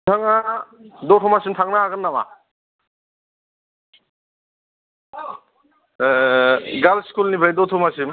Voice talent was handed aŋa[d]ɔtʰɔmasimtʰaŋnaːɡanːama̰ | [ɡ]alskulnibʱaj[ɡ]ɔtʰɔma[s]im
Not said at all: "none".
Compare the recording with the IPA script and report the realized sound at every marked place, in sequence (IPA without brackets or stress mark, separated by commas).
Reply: d, ɡ, d, s